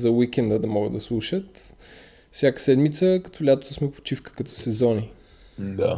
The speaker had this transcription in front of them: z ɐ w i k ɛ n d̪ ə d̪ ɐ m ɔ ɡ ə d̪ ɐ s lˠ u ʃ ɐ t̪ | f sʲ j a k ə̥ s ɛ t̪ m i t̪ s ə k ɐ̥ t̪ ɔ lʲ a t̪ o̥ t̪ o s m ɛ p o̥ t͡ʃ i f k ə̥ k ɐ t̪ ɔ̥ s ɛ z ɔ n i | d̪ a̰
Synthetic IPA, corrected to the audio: z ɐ w i k ɛ n d̪ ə d̪ ɐ m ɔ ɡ ə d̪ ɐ s lˠ u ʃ ə t̪ | f sʲ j a k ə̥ s ɛ d̪ m i t̪ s ə k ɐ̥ t̪ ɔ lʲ a t̪ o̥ t̪ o s m ɛ p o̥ t͡ʃ i f k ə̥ k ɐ t̪ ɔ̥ s ɛ z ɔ n i | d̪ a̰